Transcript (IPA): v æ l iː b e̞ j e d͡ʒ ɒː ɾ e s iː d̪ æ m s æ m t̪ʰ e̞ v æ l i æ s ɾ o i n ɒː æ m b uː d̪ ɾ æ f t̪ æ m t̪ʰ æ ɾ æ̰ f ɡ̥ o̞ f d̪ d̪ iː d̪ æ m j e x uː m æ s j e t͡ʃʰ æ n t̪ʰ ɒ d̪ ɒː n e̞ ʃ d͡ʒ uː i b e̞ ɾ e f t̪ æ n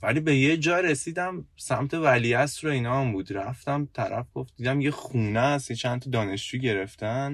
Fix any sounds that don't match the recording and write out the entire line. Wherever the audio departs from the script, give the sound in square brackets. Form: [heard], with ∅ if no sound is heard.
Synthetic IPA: v æ l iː b e̞ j e d͡ʒ ɒː ɾ e s iː d̪ æ m s æ m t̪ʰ e̞ v æ l i æ s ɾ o i n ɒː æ m b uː d̪ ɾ æ f t̪ æ m t̪ʰ æ ɾ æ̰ f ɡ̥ o̞ f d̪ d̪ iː d̪ æ m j e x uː [n] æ s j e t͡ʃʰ æ n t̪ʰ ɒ d̪ ɒː n e̞ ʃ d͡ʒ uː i [ɟ] e̞ ɾ e f t̪ æ n